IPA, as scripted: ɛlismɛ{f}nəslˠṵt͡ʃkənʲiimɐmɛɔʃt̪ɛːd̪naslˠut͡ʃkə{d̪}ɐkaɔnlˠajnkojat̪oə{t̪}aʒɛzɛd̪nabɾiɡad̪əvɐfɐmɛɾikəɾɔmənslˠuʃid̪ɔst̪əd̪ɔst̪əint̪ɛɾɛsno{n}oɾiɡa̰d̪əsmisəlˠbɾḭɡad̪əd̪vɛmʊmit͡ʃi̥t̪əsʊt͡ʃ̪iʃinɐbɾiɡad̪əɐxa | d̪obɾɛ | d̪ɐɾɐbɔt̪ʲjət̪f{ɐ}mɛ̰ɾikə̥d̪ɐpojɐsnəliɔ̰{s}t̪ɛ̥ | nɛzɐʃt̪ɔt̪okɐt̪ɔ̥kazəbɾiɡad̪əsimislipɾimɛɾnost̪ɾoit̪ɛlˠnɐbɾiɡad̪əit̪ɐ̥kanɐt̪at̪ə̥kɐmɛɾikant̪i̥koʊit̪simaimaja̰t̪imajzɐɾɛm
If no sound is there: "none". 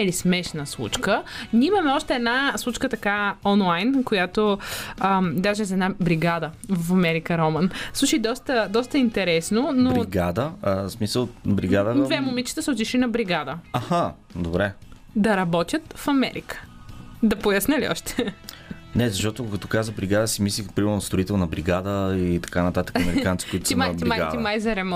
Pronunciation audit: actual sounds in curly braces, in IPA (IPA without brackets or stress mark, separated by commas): ʃ, t̪, d̪, n, ɐ, ʃ